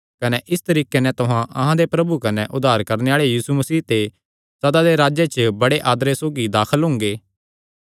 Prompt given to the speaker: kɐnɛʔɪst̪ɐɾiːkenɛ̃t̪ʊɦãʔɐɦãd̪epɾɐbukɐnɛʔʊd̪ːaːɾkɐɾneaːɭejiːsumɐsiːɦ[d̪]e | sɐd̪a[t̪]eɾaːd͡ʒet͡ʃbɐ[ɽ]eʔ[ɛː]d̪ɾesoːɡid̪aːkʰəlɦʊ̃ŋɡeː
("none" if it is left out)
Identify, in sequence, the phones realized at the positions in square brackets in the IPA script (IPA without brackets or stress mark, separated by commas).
t̪, d̪, ɽ, aː